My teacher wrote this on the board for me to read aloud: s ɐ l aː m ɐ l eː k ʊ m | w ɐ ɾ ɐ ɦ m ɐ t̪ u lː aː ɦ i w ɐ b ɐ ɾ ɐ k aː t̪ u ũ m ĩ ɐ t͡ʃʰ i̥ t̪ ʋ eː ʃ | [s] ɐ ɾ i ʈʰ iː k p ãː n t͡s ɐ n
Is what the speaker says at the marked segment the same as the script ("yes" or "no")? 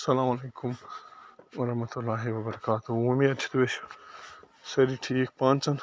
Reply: yes